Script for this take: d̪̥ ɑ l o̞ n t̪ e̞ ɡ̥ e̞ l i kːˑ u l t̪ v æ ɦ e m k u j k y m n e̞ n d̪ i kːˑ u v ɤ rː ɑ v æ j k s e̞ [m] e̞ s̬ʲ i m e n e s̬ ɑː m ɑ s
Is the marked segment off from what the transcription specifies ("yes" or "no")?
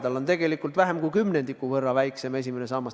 no